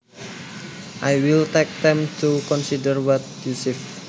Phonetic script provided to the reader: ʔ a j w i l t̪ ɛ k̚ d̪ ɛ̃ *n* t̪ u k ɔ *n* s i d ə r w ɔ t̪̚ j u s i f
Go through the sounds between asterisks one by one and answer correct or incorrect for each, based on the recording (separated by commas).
incorrect, correct